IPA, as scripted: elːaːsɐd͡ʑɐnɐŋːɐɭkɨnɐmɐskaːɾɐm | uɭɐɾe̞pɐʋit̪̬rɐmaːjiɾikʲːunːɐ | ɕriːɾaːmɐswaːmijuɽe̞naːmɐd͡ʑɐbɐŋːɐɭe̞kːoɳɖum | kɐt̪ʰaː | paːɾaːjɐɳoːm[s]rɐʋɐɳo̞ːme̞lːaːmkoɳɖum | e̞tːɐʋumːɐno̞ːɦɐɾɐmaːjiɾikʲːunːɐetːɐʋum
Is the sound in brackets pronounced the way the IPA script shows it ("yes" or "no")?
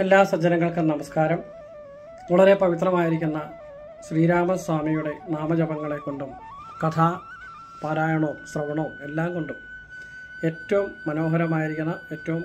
yes